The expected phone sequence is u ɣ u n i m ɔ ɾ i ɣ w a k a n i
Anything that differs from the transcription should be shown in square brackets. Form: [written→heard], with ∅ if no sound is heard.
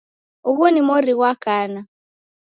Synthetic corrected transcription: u ɣ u n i m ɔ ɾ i ɣ w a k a n [i→a]